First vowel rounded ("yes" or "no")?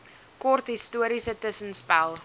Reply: yes